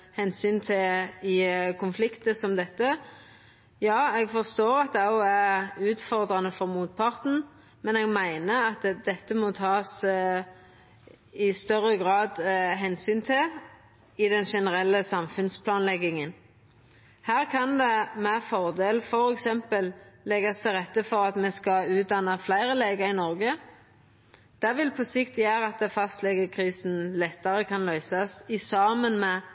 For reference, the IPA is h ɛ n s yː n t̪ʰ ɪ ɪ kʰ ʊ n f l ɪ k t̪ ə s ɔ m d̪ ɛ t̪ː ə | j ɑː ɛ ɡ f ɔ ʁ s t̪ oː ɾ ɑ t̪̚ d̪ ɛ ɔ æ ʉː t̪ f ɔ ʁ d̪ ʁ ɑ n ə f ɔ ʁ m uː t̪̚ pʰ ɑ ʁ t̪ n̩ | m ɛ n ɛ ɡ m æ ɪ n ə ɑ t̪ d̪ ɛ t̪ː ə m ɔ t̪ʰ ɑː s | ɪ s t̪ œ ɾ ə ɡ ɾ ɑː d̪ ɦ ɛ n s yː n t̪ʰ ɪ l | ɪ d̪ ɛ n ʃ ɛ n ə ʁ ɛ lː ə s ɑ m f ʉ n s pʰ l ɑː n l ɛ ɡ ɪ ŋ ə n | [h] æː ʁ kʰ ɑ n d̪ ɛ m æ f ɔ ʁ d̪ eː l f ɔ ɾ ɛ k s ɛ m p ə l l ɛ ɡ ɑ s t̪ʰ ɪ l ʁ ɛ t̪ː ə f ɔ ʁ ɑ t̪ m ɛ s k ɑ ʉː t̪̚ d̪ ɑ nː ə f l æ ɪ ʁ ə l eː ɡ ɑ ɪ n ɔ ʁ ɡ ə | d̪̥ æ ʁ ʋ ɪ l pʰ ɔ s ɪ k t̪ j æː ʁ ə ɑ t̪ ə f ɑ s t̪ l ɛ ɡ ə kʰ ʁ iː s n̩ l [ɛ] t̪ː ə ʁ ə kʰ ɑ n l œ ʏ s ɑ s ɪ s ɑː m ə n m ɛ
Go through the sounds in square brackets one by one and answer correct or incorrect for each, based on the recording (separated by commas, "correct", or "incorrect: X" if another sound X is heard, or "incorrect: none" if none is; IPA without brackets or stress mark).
correct, correct